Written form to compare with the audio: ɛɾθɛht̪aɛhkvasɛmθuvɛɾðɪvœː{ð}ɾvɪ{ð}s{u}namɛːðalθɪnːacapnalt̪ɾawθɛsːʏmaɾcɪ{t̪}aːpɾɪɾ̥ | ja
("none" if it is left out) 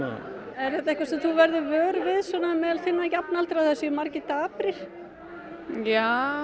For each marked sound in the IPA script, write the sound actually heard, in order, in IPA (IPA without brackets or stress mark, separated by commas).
none, ð, ɔ, t̪